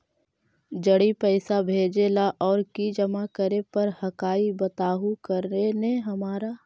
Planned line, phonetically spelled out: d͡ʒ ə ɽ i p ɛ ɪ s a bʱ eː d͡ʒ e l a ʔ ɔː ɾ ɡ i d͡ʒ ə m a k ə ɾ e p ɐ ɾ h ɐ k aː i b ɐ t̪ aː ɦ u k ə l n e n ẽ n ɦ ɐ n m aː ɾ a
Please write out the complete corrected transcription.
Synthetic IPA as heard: d͡ʒ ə ɽ i p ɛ ɪ s a bʱ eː d͡ʒ e l a ʔ ɔː ɾ k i d͡ʒ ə m a k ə ɾ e p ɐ ɾ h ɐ k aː i b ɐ t̪ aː ɦ u k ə ɾ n e n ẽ ɦ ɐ m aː ɾ a